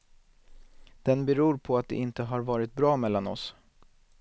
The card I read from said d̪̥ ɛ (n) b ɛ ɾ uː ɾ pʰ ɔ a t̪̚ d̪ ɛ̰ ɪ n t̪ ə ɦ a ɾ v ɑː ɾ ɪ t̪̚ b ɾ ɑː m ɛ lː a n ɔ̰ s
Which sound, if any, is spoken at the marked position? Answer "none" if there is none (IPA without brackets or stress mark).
n